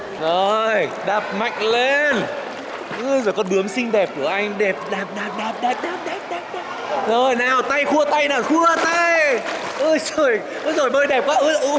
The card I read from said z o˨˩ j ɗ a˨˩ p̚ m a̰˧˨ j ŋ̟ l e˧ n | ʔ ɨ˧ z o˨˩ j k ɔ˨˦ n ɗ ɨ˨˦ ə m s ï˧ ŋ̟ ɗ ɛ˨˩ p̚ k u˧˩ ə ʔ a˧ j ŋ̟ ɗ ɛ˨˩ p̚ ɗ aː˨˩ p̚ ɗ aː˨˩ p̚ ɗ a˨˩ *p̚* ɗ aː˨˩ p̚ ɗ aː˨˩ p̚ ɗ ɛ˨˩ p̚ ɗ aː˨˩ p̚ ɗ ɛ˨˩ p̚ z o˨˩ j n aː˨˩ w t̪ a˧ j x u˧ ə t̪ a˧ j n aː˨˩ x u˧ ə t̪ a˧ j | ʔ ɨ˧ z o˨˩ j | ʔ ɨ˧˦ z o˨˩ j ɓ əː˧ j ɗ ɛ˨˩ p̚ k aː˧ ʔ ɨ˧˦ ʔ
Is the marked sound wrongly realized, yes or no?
no